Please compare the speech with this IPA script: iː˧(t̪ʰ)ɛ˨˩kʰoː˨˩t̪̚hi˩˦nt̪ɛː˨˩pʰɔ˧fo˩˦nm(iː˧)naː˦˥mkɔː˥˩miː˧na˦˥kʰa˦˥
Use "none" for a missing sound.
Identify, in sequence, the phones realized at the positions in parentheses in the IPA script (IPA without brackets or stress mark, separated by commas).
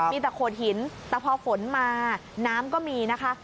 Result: t̪, aː˧